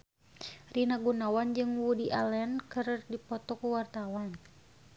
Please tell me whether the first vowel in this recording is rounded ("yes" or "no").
no